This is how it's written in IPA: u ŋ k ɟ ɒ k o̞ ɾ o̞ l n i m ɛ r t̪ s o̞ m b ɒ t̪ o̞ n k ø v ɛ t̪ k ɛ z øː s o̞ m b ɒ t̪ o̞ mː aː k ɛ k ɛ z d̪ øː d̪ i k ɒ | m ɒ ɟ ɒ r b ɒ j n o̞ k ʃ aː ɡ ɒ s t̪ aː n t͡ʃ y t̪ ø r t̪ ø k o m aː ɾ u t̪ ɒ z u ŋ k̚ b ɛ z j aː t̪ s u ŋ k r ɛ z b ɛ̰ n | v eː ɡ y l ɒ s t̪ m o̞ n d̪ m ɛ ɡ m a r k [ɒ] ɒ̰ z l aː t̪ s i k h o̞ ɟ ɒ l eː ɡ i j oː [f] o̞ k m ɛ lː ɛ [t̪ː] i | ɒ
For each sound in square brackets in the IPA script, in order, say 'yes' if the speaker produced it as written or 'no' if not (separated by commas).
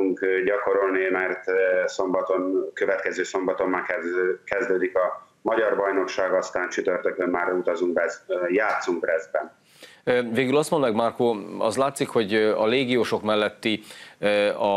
no, no, yes